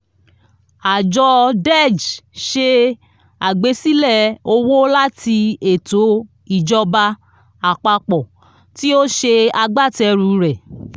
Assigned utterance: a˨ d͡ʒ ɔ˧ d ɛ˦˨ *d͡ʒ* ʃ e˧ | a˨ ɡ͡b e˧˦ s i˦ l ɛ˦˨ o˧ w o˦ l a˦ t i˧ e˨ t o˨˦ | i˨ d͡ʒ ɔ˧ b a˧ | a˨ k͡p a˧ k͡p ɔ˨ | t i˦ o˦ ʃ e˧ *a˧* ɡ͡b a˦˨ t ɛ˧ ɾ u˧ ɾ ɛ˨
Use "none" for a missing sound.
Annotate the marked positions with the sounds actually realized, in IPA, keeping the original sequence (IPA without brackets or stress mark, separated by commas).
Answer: d͡ʒ, a˧